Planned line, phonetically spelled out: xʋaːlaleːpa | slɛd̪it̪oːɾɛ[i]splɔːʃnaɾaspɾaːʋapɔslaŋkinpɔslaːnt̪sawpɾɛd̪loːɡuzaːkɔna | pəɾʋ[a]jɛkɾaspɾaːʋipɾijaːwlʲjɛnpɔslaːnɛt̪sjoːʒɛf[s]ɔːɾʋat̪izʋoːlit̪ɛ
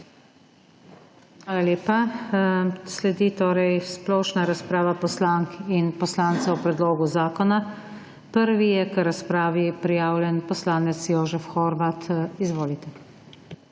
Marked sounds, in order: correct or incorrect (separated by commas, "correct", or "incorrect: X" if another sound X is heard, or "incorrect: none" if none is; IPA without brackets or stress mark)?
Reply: incorrect: j, incorrect: i, incorrect: x